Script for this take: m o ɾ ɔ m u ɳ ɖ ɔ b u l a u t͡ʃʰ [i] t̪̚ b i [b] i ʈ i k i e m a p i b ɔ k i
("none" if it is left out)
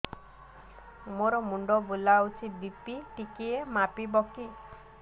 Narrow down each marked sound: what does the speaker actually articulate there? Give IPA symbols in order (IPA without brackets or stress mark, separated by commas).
i, p